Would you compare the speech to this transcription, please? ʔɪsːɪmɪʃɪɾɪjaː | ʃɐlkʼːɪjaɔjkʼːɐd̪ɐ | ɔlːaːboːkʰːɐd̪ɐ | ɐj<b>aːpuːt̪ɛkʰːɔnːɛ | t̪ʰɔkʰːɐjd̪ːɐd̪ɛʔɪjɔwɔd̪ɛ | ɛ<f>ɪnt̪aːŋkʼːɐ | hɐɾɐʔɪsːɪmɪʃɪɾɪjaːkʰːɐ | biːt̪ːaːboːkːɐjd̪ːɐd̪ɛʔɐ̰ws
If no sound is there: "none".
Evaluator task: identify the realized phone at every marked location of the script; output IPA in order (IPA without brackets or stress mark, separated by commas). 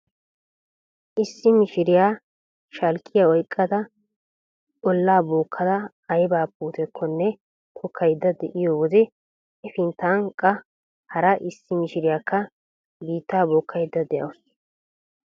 b, f